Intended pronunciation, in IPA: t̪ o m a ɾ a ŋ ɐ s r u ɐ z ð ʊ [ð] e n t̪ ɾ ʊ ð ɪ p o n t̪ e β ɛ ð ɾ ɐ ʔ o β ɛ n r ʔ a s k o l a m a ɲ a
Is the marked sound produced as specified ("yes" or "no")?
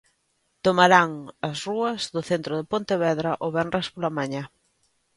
no